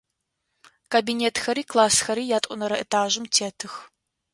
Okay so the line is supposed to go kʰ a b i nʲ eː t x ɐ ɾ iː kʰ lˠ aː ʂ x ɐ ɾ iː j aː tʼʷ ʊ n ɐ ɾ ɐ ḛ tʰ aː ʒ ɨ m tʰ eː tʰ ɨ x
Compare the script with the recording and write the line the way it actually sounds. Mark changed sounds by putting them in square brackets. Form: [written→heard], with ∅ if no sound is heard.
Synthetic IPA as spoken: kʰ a b i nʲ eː t x ɐ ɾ iː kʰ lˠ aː [ʂ→s] x ɐ ɾ iː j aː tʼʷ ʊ n ɐ ɾ ɐ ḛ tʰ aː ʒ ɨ m tʰ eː tʰ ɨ x